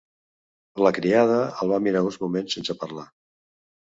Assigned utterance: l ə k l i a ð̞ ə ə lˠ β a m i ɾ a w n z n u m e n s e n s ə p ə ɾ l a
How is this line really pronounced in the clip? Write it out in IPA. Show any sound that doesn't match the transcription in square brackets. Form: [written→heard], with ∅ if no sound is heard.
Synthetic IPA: l ə k [l→ɾ] i a ð̞ ə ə lˠ β a m i ɾ a [w→u] n z [n→m] u m e n s e n s ə p ə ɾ l a